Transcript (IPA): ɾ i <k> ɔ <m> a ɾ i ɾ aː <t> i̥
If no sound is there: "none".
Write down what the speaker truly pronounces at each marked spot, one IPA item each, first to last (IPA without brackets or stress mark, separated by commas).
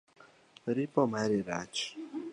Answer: p, m, t͡ʃ